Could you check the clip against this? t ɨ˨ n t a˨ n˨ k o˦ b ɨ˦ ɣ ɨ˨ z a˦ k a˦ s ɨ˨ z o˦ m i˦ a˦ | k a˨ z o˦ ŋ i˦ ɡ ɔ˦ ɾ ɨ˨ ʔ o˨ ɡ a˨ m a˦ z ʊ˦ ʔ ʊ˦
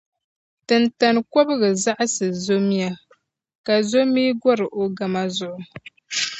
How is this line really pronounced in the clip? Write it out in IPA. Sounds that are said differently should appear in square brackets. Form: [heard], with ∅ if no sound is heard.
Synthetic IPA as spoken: t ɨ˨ n t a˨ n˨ k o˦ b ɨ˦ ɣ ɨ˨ z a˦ [ʔ] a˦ s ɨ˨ z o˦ m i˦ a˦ | k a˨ z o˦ [m] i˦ ɡ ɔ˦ ɾ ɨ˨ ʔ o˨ ɡ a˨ m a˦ z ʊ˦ ʔ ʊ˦